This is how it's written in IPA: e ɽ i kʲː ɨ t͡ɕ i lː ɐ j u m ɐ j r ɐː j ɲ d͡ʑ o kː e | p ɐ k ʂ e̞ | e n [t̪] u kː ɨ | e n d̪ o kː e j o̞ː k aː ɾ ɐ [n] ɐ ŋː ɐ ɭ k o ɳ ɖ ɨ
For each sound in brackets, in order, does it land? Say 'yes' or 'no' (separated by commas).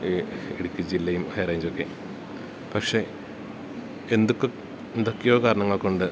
no, no